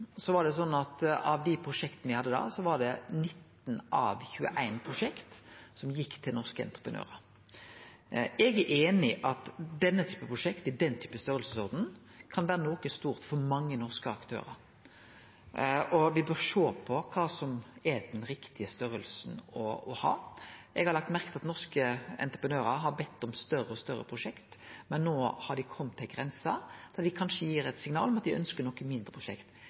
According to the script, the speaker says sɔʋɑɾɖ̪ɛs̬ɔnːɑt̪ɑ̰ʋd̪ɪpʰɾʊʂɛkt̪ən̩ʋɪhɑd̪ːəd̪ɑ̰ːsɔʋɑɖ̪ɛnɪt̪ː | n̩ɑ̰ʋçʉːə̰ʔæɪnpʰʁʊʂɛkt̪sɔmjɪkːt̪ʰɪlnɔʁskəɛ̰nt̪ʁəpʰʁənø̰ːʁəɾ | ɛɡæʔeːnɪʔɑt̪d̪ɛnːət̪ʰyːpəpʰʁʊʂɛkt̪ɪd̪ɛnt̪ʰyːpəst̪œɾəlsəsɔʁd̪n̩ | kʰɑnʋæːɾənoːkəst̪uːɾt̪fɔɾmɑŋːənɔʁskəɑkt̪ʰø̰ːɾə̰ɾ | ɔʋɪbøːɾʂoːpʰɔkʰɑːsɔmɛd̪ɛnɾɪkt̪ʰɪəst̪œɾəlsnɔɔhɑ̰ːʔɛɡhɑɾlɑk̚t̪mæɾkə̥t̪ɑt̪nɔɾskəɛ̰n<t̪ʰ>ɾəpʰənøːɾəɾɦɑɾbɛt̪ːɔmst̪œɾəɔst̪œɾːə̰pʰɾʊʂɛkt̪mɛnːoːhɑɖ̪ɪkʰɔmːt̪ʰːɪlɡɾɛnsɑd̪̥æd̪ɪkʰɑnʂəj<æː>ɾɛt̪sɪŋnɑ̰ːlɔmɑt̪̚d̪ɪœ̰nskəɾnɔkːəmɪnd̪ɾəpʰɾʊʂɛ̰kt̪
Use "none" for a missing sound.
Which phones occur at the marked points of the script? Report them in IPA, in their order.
t̪, iː

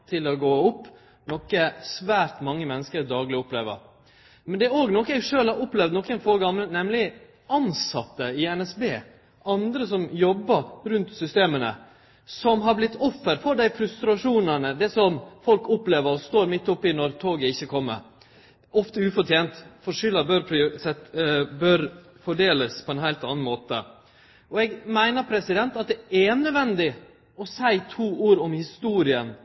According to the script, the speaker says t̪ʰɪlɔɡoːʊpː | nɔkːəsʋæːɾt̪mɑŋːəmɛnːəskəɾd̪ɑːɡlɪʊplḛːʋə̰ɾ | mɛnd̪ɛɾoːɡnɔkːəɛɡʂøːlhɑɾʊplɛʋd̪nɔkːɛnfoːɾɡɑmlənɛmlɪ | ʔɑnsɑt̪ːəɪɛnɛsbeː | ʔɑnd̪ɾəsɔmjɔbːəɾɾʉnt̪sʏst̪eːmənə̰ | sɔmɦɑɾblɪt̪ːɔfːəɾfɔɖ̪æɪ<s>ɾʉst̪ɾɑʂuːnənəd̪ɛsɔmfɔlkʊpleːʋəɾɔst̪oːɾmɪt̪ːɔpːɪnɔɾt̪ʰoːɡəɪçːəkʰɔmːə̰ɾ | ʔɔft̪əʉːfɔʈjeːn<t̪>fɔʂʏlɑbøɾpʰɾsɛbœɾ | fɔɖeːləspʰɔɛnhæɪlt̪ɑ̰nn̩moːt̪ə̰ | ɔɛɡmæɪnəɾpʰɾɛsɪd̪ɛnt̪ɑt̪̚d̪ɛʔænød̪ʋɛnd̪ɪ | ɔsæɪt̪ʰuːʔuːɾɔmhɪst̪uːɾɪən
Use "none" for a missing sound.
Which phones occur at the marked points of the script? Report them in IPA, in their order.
f, t̪

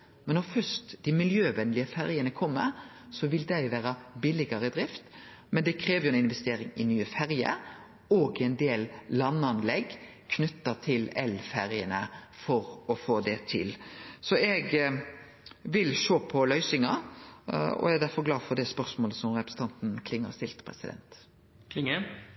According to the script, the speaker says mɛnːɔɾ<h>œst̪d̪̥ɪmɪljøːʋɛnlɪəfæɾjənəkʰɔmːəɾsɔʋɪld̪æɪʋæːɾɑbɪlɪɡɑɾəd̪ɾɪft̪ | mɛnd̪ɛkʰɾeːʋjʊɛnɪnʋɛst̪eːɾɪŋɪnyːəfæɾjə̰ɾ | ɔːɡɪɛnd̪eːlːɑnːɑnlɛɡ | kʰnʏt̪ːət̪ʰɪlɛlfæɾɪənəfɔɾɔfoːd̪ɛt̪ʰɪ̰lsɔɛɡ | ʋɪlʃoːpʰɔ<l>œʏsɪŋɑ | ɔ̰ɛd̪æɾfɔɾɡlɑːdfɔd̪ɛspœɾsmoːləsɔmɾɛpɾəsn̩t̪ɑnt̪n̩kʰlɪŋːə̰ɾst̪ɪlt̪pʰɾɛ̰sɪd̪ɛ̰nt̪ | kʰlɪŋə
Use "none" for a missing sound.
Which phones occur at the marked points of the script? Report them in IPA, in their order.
f, l

